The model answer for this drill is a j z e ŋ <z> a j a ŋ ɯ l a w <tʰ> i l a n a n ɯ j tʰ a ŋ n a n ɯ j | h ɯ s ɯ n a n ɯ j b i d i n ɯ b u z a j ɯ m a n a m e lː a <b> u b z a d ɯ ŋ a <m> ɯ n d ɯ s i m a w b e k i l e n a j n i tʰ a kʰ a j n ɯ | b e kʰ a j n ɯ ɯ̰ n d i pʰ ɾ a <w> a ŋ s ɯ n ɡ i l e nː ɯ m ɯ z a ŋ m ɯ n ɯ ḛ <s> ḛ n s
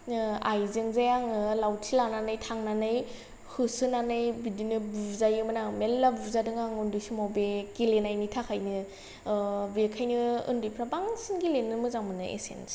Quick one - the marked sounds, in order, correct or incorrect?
correct, correct, correct, incorrect: ŋ, incorrect: b, correct

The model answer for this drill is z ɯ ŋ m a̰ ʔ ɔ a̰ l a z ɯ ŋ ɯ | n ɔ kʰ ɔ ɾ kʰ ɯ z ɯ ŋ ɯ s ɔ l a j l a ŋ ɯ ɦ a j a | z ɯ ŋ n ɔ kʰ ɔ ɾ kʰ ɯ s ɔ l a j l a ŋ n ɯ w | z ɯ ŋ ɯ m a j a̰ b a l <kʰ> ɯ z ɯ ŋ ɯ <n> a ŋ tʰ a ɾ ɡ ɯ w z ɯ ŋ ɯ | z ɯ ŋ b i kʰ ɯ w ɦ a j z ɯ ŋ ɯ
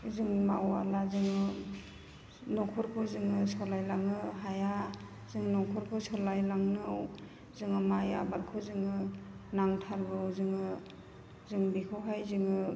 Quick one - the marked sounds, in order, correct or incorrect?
correct, correct

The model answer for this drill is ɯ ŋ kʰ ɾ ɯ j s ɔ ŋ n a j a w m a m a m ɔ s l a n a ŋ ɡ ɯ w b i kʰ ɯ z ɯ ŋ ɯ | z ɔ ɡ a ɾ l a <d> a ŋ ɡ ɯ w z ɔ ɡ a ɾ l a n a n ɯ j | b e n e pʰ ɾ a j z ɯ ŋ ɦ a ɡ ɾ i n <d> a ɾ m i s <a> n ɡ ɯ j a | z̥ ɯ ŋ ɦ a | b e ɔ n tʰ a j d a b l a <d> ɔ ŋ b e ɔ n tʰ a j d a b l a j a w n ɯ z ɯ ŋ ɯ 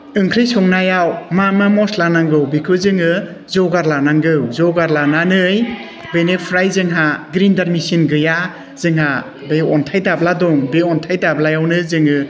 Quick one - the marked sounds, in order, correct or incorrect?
incorrect: n, correct, incorrect: i, correct

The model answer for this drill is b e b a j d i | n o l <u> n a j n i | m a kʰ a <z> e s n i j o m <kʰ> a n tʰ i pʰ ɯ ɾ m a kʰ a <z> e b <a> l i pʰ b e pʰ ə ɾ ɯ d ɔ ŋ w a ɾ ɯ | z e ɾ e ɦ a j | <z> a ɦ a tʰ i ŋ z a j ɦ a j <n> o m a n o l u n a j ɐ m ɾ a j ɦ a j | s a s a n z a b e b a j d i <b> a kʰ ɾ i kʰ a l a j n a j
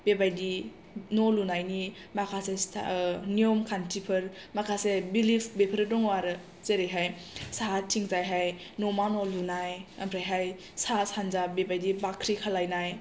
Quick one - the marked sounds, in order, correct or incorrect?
correct, incorrect: s, correct, incorrect: s, incorrect: i, incorrect: s, correct, correct

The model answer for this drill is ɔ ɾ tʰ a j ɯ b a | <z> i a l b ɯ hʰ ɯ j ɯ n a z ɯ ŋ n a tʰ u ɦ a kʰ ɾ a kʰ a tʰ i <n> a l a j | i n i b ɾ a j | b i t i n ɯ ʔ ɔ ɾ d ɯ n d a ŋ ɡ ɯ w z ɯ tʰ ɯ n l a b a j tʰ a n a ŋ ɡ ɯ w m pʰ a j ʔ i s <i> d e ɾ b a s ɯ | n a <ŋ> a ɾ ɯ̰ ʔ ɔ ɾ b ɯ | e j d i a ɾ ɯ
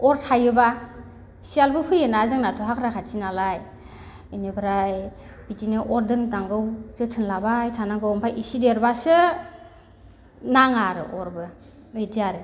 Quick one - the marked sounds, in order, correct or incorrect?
incorrect: s, correct, correct, correct

